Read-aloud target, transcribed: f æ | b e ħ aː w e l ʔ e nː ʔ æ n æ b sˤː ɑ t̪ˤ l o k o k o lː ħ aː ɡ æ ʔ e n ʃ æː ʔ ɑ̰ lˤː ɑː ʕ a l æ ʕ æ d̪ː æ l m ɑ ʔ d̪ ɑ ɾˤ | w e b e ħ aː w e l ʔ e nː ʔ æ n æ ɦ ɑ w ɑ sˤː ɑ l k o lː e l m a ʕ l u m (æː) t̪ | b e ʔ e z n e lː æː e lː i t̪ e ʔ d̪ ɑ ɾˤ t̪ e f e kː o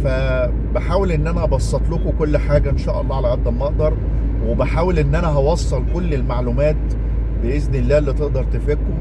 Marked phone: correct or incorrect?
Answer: correct